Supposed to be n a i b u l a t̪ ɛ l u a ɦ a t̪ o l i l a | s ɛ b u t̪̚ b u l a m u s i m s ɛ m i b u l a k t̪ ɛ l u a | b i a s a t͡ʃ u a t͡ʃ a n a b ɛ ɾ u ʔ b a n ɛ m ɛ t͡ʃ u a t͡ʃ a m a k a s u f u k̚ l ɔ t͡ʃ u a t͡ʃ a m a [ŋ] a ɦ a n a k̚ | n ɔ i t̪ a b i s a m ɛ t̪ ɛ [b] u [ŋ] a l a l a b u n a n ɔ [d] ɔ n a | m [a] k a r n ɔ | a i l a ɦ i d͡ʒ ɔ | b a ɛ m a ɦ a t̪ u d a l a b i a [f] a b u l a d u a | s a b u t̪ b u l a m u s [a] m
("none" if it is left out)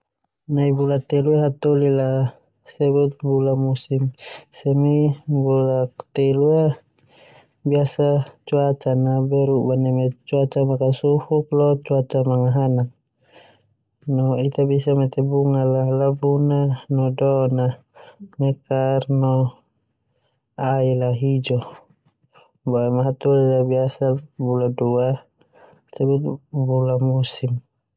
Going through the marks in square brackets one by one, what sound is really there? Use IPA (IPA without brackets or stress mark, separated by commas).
ŋ, b, ŋ, d, ɛ, s, i